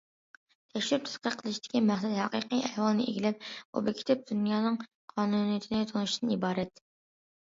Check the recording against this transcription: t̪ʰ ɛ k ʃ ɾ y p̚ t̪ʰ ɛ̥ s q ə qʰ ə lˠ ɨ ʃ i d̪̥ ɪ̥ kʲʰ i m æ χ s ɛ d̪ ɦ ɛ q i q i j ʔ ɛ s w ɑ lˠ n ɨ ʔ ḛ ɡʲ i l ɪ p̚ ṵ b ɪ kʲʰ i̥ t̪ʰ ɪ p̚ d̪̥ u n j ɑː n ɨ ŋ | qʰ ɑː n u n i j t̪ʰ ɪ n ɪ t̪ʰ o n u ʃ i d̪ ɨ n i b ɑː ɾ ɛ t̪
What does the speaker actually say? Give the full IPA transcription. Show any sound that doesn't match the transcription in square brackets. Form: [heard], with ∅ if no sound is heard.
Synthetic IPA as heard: t̪ʰ ɛ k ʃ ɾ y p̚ t̪ʰ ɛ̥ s q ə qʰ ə lˠ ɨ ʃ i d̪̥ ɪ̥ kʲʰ i m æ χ s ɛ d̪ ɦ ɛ q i q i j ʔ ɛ [h] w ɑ lˠ n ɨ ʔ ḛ ɡʲ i l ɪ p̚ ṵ b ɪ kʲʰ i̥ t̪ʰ ɪ p̚ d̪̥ u n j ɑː n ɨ ŋ | qʰ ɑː n u n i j t̪ʰ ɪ n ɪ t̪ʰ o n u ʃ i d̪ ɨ n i b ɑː ɾ ɛ t̪